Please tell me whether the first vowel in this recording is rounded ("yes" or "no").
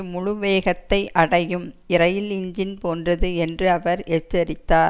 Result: yes